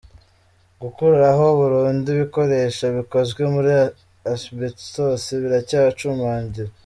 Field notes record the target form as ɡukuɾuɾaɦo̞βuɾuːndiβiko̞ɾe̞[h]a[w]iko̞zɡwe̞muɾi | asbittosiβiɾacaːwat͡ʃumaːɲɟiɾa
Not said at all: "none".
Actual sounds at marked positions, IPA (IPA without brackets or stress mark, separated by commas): ʃ, β